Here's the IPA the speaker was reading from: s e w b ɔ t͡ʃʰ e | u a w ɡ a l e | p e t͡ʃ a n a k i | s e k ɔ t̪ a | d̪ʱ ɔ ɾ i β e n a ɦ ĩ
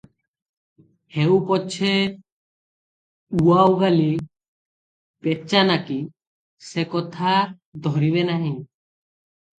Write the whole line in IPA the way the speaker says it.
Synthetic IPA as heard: h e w p ɔ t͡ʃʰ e | u a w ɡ a l i | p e t͡ʃ a n a k i | s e k ɔ t̪ʰ a | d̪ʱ ɔ ɾ i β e n a ɦ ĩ